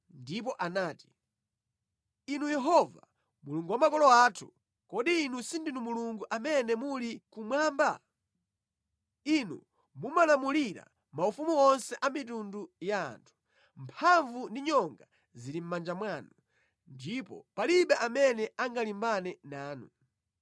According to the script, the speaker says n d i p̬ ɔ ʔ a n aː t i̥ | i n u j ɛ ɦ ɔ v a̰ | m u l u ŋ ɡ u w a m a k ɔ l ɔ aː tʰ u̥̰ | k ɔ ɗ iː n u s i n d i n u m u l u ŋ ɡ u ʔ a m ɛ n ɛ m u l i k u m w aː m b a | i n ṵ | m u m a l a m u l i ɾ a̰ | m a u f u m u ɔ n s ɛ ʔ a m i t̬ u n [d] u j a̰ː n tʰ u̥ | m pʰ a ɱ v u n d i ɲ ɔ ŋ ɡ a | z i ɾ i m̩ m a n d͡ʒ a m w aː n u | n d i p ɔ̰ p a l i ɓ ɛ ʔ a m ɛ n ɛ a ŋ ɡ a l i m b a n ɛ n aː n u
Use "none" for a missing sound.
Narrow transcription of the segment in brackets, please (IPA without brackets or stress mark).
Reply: d